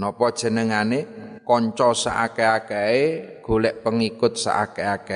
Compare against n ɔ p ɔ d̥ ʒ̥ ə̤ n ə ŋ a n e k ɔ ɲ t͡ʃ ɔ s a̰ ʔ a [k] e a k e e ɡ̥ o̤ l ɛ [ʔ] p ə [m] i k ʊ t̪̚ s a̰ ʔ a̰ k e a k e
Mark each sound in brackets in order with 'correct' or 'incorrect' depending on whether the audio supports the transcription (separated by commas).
correct, correct, incorrect